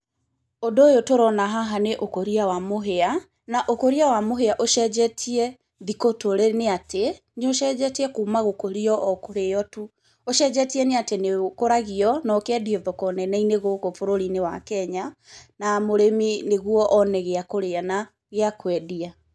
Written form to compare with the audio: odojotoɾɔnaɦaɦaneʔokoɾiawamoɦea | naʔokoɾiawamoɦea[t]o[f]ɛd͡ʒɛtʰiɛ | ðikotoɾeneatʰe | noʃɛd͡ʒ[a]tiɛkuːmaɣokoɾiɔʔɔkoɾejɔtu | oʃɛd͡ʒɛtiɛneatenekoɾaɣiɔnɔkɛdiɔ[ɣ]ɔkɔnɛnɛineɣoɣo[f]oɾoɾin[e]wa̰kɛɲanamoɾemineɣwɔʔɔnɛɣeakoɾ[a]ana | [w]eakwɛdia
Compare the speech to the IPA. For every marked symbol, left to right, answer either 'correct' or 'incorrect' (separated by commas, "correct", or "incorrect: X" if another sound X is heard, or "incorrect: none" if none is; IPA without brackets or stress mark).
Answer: incorrect: ʔ, incorrect: ʃ, incorrect: ɛ, incorrect: ð, correct, correct, incorrect: e, incorrect: ɣ